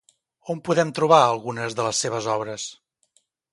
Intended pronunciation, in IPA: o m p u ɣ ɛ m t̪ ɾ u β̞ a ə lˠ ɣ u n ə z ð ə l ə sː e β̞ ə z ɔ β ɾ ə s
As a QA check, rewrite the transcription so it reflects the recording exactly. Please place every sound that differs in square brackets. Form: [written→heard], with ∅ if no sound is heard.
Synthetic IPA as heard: o m p u [ɣ→ð] ɛ m t̪ ɾ u β̞ a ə lˠ ɣ u n ə z ð ə l ə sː e β̞ ə z ɔ β ɾ ə s

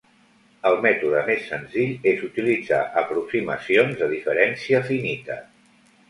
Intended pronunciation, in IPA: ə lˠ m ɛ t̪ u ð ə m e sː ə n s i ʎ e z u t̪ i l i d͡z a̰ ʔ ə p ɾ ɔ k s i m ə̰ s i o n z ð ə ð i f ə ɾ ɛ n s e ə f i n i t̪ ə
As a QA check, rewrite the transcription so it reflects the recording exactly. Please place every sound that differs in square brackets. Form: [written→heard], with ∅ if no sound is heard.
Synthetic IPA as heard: ə lˠ m ɛ t̪ u ð ə m e sː ə n [s→z] i ʎ e z u t̪ i l i d͡z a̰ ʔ ə p ɾ [ɔ→u] k s i m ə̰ s i o n z ð ə ð i f ə ɾ ɛ n s [e→i] ə f i n i t̪ ə

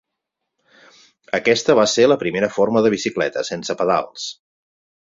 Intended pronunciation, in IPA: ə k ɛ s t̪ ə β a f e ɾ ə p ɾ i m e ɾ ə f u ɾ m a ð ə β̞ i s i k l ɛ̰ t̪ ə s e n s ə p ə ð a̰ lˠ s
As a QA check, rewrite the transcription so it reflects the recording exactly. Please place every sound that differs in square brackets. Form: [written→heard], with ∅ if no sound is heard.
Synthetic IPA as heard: ə k ɛ s t̪ ə β a [f→s] e [ɾ→l] ə p ɾ i m e ɾ ə f [u→o] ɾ m [a→ə] ð ə β̞ i s i k l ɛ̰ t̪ ə s e n s ə p ə ð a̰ lˠ s

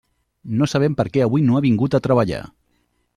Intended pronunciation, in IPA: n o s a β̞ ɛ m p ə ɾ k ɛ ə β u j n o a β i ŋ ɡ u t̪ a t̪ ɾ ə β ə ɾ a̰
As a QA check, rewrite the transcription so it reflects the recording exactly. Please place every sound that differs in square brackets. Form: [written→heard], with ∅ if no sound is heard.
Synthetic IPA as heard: n o s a β̞ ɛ m p ə ɾ k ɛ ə β u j n o a β i ŋ ɡ u t̪ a t̪ ɾ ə β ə [ɾ→ʎ] a̰

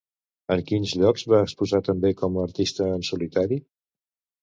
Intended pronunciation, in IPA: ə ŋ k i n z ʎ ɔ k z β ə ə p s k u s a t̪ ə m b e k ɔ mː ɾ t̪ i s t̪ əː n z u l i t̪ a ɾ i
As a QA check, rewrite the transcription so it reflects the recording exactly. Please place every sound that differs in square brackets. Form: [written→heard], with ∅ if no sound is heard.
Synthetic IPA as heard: ə ŋ k i n z ʎ ɔ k z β [ə→a] ə [p→k] s [k→p] u [s→z] a t̪ ə m b e k ɔ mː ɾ t̪ i s t̪ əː n [z→s] u l i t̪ a ɾ i

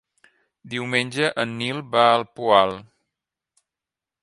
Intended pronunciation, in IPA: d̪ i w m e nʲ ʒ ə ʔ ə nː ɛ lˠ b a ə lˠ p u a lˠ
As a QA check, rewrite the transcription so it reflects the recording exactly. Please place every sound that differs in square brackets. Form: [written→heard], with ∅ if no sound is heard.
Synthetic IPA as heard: d̪ i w m e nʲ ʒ ə ʔ ə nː [ɛ→i] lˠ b a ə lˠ p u a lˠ

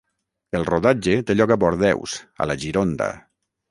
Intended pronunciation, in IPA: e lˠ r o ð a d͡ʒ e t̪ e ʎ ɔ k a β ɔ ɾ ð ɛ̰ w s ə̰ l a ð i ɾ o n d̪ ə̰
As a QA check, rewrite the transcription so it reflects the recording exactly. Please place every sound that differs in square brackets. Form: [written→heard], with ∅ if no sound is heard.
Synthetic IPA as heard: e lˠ r o ð a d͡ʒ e t̪ e ʎ ɔ k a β ɔ ɾ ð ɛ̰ w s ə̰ l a [ð→ʒ] i ɾ o n d̪ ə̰

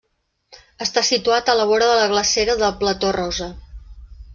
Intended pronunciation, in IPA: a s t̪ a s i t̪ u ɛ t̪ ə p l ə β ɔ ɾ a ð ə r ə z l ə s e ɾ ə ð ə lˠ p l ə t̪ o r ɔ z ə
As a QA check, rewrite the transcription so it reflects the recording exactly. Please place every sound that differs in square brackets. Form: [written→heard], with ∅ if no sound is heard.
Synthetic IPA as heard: [a→ə] s t̪ a s i t̪ u [ɛ→a] t̪ ə [p→∅] l ə β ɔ ɾ [a→ə] ð ə [r→l] ə [z→ɣ] l ə s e ɾ ə ð ə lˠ p l ə t̪ o r ɔ z ə

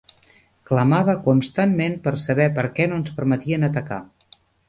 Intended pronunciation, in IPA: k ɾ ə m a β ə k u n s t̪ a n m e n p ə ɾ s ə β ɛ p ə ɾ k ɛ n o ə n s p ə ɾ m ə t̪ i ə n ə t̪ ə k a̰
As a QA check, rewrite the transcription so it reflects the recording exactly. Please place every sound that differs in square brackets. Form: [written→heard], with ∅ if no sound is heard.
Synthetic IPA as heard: k [ɾ→l] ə m a β ə k u n s t̪ a n m e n p ə ɾ s ə β ɛ p ə ɾ k ɛ n o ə n s p ə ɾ m ə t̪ i ə n ə t̪ ə k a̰

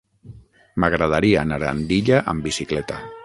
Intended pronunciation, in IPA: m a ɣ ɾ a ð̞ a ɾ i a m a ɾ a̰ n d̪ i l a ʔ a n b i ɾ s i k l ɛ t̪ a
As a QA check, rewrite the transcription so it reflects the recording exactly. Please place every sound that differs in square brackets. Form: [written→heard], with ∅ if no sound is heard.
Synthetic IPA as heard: m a ɣ ɾ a ð̞ a ɾ i a [m→n] a ɾ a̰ n d̪ i [l→ʎ] a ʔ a [n→m] b i [ɾ→∅] s i k l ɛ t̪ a

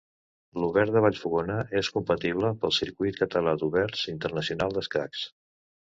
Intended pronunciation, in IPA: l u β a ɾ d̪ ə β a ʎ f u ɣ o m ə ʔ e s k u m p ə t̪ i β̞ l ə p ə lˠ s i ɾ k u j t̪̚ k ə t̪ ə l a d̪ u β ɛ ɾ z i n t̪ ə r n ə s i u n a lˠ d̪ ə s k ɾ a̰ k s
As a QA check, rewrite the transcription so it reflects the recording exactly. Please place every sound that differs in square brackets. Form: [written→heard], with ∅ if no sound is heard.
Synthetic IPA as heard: l u β [a→ɛ] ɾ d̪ ə β a ʎ f u ɣ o [m→n] ə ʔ e s k u m p ə t̪ i β̞ l ə p ə lˠ s i ɾ k u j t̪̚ k ə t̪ ə l a d̪ u β ɛ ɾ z i n t̪ ə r n ə s i u n a lˠ d̪ ə s k ɾ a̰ k s

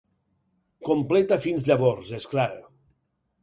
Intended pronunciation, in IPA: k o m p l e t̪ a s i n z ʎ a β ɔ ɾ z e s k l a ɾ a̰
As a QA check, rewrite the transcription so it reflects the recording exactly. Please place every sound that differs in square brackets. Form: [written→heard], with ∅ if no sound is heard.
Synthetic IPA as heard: k o m p l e t̪ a [s→f] i n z ʎ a β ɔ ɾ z e s k l a ɾ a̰

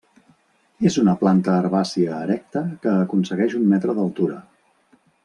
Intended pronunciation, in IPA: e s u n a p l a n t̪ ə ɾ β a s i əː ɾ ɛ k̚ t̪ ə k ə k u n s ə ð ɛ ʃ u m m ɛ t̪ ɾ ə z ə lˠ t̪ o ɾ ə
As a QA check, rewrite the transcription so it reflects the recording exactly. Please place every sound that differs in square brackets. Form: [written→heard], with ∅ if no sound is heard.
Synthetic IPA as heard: e [s→z] u n [a→ə] p l a n t̪ [ə→əː] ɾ β a s i əː ɾ ɛ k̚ t̪ ə k [ə→əː] k u n s ə [ð→ɣ] ɛ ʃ u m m ɛ t̪ ɾ ə [z→ð] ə lˠ t̪ [o→u] ɾ ə

